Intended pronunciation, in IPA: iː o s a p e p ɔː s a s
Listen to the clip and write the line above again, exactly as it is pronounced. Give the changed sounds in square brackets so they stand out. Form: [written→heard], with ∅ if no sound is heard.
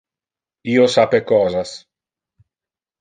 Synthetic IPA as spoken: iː o s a p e [p→k] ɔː [s→z] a s